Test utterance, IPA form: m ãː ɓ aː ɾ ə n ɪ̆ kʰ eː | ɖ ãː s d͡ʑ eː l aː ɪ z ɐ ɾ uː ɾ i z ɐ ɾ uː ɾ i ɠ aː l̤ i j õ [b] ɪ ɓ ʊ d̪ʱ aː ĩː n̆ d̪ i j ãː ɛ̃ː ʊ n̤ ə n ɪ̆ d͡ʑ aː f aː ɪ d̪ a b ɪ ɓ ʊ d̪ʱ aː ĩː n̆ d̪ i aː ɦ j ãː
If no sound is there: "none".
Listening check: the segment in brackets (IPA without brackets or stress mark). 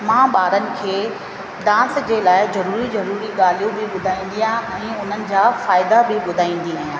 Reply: b